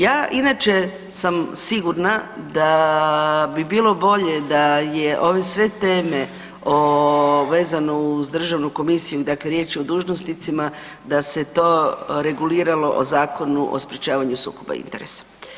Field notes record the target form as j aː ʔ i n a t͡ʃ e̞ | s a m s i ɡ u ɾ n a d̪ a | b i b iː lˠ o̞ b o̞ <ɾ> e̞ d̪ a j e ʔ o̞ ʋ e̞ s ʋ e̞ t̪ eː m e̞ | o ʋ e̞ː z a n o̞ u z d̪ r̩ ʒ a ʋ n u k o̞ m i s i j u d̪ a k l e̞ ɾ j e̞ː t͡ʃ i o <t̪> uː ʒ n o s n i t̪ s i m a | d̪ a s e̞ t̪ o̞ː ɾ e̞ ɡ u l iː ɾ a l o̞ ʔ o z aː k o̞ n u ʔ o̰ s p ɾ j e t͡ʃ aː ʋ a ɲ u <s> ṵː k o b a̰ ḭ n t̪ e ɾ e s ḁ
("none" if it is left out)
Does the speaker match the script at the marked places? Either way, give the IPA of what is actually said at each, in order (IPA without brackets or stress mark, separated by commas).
ʎ, d̪, s